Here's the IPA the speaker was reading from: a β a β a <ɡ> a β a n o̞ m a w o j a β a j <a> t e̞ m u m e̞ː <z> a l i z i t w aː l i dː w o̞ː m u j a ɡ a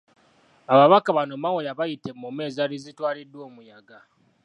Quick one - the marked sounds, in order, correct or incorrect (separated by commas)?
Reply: incorrect, incorrect, correct